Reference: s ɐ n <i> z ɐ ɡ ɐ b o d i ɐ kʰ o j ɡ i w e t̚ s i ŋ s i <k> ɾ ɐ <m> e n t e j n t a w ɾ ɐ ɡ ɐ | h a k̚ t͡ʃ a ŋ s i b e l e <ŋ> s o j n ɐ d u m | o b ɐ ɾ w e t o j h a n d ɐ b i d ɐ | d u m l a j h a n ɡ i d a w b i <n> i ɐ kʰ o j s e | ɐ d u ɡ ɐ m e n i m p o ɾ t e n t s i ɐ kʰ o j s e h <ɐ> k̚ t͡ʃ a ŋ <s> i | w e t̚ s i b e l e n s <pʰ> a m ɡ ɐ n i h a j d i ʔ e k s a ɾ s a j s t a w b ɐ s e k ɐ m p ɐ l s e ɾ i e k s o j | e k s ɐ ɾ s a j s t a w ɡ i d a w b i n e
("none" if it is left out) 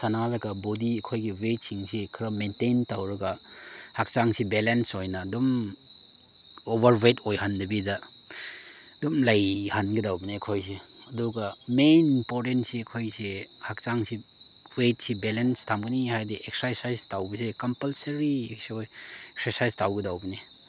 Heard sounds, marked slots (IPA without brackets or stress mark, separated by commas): a, kʰ, m, n, n, a, s, tʰ